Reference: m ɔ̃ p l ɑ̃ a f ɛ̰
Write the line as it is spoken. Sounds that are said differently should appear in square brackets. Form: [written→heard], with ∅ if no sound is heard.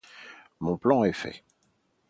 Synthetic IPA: m ɔ̃ p l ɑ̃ [a→ɛ] f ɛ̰